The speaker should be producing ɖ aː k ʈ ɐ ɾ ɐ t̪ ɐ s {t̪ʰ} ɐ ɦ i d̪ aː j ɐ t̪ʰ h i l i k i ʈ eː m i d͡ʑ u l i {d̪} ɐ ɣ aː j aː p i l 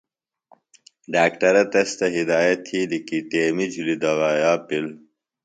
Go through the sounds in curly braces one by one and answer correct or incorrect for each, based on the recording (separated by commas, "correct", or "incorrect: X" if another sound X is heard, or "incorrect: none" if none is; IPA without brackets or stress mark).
incorrect: t̪, correct